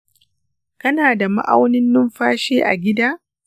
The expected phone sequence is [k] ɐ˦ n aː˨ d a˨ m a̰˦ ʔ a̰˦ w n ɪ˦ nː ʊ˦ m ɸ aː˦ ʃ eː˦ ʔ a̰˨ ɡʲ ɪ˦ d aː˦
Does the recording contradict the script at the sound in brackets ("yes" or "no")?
no